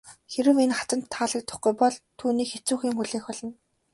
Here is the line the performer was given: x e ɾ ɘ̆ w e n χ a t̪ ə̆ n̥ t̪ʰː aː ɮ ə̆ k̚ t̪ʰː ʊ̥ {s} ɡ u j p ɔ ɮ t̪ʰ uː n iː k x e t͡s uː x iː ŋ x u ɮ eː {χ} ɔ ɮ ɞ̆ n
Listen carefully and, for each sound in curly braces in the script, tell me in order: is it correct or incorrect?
incorrect, incorrect

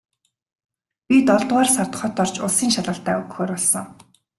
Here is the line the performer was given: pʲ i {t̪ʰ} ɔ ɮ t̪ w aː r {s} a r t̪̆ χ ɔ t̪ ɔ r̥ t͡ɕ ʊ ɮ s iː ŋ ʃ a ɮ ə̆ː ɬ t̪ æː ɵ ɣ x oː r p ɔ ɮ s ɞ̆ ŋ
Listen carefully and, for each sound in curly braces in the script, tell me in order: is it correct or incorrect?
incorrect, correct

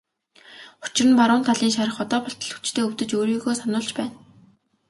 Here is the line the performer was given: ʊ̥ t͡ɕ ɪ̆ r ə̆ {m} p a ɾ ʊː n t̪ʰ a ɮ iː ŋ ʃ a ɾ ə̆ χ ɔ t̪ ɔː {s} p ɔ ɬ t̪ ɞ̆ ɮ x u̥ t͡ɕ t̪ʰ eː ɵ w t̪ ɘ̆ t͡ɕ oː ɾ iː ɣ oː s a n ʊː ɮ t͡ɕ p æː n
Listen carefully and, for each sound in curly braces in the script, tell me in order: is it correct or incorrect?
incorrect, incorrect

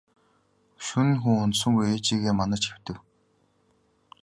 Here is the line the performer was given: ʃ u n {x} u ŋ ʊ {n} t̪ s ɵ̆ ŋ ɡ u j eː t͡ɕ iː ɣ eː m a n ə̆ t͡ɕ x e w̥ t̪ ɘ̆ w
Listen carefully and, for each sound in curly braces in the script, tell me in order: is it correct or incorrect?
correct, correct

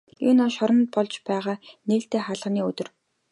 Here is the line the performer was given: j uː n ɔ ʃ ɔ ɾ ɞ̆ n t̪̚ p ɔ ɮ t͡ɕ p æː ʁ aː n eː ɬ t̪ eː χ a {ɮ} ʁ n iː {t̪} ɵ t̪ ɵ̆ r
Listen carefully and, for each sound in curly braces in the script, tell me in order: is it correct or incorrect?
correct, incorrect

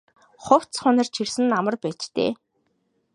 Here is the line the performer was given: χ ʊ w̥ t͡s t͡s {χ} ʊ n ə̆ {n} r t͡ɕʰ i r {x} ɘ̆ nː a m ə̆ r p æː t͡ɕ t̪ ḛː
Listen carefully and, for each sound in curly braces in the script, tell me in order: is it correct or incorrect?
correct, incorrect, incorrect

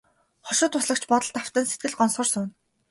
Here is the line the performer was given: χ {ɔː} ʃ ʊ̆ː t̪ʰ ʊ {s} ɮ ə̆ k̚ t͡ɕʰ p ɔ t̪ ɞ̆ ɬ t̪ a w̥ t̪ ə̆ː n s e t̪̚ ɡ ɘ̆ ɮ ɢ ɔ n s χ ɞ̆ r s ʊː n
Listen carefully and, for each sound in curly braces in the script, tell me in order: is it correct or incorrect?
incorrect, correct

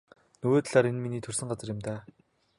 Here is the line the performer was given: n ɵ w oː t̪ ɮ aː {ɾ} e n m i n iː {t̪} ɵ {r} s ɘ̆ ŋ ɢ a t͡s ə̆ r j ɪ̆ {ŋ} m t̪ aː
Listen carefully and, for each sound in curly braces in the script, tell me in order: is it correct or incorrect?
correct, incorrect, correct, incorrect

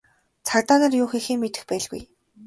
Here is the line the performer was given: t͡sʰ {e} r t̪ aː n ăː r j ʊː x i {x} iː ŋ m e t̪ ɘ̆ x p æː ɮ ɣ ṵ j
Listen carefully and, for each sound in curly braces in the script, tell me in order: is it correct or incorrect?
incorrect, correct

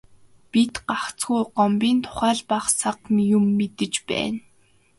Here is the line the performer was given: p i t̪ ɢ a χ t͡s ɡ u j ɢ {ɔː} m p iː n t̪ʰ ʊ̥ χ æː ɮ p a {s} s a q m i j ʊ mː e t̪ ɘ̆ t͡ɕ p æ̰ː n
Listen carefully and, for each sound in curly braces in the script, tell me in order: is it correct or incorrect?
incorrect, incorrect

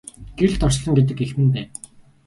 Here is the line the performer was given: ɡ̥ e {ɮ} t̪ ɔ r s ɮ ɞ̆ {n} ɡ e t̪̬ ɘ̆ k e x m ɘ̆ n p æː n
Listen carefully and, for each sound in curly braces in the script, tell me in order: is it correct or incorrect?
correct, incorrect

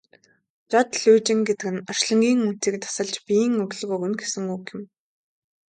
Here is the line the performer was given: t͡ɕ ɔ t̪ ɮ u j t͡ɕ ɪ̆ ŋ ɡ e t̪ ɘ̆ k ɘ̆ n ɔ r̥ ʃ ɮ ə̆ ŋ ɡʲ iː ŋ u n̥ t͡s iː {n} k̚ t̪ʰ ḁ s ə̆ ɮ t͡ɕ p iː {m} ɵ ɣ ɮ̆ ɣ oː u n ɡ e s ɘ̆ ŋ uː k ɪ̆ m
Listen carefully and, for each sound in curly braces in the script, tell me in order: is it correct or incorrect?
incorrect, incorrect

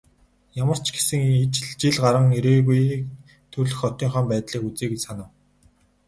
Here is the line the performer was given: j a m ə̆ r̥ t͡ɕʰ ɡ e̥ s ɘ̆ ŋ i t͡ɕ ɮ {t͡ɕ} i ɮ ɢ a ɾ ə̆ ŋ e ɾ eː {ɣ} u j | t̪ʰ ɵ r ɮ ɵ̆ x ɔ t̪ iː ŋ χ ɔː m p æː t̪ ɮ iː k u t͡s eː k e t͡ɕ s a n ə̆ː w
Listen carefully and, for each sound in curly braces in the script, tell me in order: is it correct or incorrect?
correct, correct

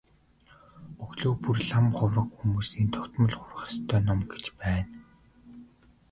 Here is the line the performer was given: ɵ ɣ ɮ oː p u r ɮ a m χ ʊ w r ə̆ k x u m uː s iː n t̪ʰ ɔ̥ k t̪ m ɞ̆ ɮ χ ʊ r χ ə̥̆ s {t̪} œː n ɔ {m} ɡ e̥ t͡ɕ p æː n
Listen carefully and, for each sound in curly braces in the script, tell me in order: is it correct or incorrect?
incorrect, correct

